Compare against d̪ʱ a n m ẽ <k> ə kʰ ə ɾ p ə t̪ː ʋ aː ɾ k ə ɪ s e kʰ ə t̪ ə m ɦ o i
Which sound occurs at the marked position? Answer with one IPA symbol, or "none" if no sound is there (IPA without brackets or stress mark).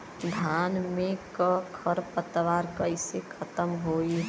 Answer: k